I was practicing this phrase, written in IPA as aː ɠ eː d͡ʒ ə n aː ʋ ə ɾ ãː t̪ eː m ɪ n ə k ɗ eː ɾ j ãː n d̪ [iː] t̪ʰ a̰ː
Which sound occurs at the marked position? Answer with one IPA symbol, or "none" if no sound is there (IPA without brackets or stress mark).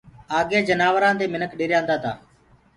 aː